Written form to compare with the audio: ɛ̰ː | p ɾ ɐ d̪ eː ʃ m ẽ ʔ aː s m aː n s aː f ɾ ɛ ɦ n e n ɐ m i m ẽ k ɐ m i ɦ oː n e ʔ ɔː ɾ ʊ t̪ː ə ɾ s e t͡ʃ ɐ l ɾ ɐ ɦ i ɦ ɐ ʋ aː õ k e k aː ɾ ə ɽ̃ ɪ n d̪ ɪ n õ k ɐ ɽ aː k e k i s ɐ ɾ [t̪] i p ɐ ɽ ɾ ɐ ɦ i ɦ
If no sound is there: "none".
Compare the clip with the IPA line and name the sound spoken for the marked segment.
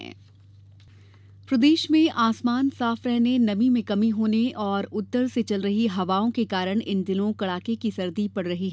d̪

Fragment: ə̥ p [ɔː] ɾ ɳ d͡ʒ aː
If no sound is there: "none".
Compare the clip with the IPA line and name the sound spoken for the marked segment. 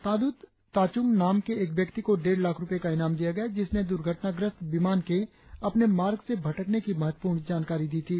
uː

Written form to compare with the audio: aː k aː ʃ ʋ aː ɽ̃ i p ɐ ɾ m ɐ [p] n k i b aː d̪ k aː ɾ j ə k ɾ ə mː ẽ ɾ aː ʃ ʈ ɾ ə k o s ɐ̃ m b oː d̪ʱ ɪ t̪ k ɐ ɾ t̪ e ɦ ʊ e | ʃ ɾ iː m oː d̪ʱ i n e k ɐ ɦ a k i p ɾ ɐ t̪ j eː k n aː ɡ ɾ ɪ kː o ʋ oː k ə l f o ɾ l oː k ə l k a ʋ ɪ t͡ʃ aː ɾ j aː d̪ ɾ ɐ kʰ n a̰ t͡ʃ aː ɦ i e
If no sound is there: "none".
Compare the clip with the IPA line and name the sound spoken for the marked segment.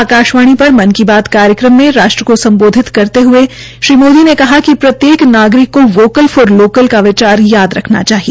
none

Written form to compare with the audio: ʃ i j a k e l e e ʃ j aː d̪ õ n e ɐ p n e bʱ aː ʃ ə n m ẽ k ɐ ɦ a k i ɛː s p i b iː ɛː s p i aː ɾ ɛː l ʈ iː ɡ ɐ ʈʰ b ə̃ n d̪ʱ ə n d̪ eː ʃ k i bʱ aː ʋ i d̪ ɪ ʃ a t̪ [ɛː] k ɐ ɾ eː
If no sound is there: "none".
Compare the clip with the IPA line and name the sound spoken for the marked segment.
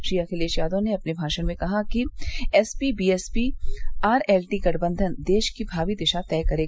ɛː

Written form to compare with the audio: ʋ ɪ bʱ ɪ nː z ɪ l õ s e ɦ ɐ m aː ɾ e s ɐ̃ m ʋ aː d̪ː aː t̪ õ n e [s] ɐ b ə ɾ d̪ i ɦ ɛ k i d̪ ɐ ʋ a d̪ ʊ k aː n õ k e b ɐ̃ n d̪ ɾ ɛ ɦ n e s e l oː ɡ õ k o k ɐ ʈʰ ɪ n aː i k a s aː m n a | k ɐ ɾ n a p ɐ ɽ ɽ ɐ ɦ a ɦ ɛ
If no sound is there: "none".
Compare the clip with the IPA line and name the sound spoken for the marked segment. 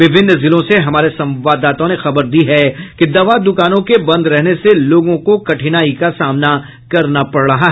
x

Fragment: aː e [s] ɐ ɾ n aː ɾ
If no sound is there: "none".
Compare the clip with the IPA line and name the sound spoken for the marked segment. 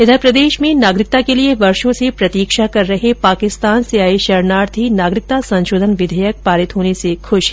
ʃ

